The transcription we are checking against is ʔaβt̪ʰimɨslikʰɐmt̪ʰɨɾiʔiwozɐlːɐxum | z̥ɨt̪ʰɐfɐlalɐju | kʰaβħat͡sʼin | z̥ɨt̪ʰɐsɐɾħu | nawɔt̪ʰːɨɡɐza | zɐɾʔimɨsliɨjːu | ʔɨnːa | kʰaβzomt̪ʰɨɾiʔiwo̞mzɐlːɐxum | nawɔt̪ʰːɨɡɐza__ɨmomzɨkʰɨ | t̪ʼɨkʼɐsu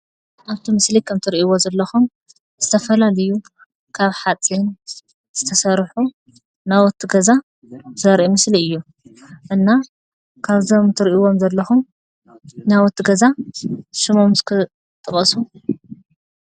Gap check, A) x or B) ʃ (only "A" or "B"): B